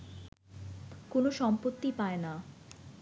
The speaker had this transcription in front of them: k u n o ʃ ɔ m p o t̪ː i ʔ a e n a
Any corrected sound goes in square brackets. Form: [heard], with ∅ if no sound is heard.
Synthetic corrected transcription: k [o] n o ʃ ɔ m p o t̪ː i [p] a e n a